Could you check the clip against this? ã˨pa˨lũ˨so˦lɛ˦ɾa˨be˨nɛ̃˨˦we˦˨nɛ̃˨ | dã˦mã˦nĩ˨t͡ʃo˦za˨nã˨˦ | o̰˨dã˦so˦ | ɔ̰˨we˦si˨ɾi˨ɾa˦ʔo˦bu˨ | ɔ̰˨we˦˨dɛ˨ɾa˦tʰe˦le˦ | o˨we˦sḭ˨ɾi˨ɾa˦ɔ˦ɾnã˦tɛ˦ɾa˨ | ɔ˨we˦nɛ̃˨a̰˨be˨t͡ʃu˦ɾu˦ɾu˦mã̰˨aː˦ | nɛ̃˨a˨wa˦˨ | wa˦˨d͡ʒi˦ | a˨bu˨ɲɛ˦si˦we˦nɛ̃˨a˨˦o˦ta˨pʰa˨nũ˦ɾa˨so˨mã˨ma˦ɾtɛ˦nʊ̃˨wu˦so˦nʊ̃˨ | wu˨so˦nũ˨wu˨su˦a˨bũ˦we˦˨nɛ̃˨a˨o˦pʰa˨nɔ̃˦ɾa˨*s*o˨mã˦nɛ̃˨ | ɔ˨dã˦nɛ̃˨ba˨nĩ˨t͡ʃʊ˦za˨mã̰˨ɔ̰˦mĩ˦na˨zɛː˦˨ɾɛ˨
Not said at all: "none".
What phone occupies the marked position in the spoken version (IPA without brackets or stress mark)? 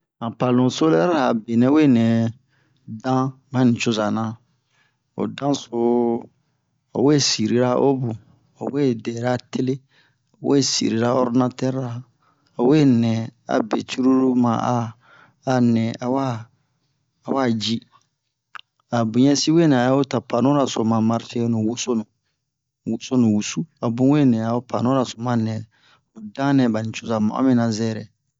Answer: s